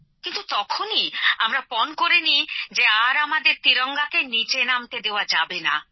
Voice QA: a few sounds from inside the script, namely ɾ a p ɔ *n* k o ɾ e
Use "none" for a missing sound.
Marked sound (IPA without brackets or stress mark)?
n